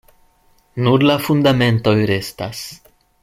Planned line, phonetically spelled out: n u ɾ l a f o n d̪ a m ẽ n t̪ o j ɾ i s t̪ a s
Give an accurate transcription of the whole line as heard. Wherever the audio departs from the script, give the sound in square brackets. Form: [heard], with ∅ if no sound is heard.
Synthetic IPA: n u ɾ l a f [u] n d̪ a m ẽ n t̪ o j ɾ [e] s t̪ a s